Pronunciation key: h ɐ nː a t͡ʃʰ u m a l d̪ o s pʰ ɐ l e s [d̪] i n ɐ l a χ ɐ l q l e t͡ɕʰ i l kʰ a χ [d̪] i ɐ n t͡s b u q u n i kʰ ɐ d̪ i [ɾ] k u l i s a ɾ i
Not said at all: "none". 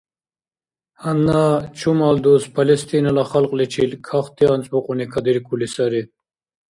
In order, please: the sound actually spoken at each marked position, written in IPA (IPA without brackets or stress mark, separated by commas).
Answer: t̪, t̪, ɾ